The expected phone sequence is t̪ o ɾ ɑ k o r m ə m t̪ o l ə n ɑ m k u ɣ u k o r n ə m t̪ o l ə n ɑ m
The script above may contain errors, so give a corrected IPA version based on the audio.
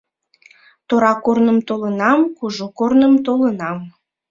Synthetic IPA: t̪ o ɾ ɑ k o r n ə m t̪ o l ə n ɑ m k u ʒ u k o r n ə m t̪ o l ə n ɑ m